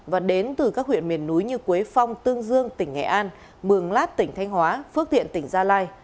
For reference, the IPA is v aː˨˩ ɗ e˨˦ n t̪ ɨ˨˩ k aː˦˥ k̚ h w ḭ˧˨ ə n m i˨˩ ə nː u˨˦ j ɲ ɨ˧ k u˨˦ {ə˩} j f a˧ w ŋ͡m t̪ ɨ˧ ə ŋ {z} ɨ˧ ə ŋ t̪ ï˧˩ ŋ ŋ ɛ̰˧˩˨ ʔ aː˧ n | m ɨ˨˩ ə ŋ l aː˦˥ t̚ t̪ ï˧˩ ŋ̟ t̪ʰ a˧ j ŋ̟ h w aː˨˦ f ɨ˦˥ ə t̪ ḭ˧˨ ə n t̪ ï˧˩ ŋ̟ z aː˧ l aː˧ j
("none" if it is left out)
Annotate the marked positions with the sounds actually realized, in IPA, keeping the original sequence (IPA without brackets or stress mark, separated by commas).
ə˦, z